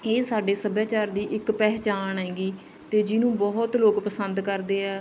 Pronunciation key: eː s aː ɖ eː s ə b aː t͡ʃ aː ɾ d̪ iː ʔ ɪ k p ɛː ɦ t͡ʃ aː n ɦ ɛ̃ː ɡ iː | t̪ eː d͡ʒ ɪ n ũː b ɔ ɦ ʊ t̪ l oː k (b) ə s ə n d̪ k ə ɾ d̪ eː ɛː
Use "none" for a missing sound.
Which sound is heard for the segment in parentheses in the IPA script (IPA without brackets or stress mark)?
p